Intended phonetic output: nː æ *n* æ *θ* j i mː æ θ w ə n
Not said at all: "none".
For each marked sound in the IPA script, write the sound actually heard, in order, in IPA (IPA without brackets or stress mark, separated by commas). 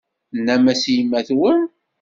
m, s